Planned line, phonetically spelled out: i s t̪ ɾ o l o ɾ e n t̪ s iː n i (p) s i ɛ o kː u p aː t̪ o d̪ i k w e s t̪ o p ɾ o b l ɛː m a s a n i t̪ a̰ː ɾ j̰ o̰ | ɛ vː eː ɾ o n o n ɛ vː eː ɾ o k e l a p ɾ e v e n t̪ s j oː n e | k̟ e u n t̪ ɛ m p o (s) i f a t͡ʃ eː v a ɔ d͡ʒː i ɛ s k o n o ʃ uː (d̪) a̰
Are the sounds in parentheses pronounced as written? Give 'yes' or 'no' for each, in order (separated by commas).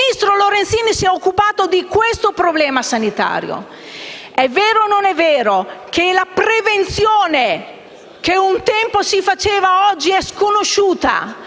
no, yes, no